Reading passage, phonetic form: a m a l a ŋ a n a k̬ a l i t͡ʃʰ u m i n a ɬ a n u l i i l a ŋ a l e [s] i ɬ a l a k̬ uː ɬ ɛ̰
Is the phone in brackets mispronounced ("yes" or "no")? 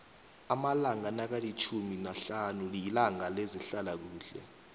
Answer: yes